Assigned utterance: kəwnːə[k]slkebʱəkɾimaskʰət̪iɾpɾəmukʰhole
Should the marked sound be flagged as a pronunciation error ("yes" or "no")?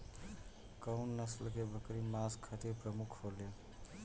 yes